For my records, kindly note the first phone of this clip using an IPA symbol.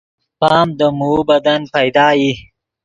p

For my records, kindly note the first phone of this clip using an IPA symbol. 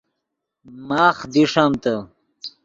m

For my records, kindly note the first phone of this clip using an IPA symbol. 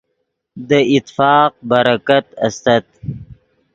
d̪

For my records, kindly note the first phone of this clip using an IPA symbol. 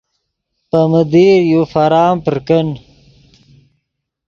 p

